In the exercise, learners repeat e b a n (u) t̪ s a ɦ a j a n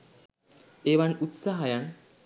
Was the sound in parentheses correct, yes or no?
yes